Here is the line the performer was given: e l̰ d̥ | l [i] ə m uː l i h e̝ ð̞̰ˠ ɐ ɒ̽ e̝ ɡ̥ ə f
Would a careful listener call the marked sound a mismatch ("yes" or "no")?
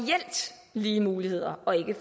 yes